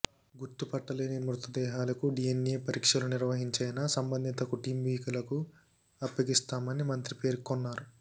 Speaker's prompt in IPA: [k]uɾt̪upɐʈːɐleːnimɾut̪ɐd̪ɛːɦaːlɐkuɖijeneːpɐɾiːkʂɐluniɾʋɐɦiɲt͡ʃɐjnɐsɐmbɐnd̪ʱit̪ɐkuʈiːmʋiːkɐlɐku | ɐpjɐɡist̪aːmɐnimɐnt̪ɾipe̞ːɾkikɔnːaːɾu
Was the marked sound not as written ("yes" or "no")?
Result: yes